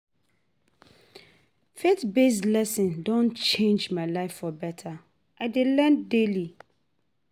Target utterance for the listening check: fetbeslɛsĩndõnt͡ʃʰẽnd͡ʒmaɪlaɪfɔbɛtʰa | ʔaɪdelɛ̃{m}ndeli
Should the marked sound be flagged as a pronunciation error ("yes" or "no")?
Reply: yes